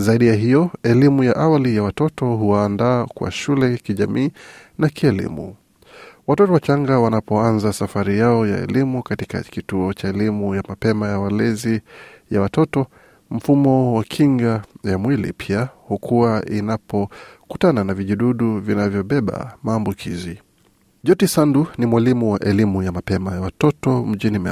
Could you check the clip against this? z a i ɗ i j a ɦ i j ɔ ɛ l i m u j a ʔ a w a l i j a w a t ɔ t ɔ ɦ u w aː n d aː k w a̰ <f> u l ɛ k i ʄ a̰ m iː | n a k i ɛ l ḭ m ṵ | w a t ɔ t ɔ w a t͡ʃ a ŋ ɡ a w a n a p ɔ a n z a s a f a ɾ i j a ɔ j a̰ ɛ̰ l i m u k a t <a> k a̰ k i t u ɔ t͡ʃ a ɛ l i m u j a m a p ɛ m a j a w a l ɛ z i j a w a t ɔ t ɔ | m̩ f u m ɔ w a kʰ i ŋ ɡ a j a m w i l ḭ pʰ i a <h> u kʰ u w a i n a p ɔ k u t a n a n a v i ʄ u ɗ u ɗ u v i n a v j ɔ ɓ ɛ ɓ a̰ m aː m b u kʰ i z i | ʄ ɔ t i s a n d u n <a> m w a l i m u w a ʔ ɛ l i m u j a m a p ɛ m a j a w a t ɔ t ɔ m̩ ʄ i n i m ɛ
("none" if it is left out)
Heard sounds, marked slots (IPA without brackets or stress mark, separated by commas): ʃ, i, h, i